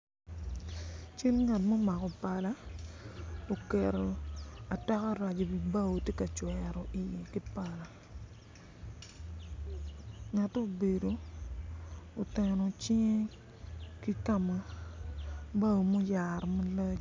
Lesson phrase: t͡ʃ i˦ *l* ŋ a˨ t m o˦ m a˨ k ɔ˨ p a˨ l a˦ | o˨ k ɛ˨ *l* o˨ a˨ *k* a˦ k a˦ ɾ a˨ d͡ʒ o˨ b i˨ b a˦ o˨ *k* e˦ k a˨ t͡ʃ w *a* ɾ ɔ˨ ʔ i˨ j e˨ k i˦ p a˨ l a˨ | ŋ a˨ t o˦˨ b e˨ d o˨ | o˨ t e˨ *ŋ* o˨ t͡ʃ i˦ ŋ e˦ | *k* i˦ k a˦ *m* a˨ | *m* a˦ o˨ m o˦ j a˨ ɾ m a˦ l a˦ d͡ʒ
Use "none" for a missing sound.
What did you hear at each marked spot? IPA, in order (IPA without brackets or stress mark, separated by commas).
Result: l, ɾ, t, t, ɛ, n, k, m, b